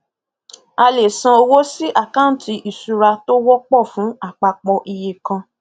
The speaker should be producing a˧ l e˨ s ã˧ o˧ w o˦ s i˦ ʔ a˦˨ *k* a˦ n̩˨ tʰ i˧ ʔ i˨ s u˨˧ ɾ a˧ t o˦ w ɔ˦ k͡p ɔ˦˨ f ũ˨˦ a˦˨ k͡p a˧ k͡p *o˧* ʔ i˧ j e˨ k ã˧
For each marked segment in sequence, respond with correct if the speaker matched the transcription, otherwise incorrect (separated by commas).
correct, incorrect